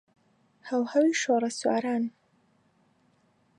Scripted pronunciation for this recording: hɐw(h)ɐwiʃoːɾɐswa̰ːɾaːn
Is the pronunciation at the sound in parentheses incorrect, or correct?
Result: correct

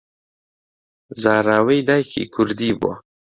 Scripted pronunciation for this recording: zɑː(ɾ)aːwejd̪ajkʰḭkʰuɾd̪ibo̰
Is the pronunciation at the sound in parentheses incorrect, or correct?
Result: correct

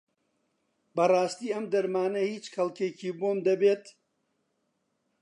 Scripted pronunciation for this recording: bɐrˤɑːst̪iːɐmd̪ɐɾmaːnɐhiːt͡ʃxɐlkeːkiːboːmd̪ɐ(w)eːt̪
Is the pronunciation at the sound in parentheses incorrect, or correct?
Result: incorrect: b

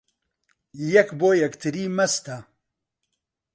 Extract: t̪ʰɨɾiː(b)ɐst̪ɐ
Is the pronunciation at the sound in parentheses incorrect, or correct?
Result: incorrect: m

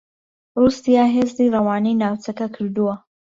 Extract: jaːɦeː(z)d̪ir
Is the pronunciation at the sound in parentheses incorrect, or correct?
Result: correct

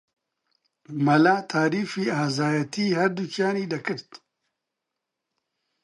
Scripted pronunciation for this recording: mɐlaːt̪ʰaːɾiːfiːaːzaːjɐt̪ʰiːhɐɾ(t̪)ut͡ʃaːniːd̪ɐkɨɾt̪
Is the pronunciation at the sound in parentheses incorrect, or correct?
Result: incorrect: d̪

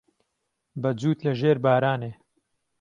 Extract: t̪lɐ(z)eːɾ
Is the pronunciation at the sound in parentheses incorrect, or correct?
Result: incorrect: ʒ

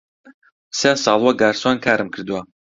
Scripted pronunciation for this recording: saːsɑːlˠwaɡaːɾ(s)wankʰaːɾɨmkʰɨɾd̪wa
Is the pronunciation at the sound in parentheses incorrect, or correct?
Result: correct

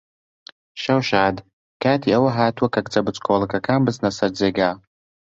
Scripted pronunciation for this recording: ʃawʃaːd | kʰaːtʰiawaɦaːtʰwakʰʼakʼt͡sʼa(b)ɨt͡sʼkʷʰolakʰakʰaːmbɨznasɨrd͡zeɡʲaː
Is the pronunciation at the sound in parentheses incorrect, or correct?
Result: correct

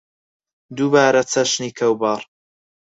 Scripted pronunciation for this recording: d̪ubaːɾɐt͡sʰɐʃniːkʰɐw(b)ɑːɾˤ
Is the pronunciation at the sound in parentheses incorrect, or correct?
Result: correct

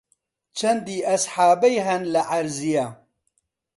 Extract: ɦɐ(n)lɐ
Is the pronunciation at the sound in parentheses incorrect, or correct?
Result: correct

